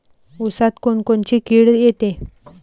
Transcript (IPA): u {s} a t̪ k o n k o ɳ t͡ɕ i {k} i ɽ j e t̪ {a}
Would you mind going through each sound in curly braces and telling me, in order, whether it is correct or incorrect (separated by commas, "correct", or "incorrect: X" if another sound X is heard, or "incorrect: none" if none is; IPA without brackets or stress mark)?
correct, correct, incorrect: e